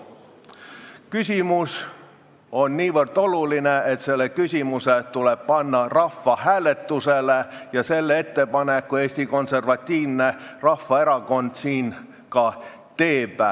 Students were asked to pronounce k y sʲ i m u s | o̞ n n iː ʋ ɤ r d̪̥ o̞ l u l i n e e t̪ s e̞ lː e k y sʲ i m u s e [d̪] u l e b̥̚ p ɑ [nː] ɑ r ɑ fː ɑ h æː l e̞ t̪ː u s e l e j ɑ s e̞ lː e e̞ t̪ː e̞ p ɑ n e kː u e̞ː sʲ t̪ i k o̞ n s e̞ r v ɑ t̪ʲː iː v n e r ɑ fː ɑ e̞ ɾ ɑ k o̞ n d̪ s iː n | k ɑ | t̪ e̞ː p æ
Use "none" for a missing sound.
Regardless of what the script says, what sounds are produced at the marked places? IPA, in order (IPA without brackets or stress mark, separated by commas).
t̪, nː